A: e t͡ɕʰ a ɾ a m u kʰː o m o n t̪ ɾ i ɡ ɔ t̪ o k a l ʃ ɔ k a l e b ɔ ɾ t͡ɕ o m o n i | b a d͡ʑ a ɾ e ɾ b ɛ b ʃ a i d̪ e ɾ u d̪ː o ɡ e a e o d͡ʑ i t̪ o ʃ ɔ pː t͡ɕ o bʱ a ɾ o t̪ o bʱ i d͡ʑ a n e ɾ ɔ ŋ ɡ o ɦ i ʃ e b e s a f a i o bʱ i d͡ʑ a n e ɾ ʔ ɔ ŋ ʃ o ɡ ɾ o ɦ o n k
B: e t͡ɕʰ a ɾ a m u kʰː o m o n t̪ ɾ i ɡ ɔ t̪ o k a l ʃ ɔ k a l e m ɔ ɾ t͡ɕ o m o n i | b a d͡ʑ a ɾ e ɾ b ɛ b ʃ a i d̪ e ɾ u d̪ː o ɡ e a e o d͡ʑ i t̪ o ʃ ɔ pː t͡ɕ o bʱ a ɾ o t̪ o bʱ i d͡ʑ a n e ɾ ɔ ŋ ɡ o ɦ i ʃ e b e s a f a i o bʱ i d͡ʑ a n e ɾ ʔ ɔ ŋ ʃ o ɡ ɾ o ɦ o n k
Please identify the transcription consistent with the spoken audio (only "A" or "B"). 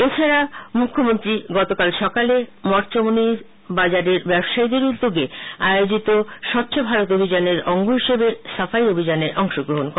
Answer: B